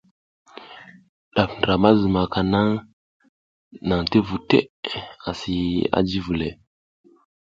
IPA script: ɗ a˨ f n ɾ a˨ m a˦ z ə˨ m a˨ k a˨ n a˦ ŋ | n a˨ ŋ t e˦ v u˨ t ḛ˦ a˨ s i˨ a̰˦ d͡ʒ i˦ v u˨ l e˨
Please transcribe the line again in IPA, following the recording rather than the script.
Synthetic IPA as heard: ɗ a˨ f n ɾ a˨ m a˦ z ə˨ m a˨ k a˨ n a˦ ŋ | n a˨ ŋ t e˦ v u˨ t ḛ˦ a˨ s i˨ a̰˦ d͡ʒ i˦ v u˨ l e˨